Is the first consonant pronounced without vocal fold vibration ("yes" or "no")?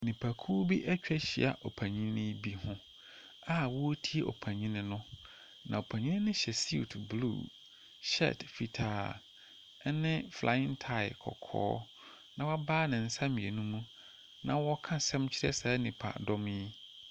no